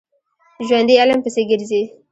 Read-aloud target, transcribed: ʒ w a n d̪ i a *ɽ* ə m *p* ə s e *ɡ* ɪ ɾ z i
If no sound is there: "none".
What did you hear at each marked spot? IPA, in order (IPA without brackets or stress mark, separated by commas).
l, p, ɡ